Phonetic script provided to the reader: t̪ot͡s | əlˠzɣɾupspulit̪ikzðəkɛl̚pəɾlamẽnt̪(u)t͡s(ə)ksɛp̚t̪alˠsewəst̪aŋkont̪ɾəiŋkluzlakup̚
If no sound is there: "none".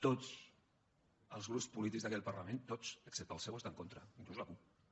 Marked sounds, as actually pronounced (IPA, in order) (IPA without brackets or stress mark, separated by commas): o, ə